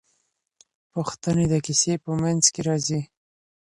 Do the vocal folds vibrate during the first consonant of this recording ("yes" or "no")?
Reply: no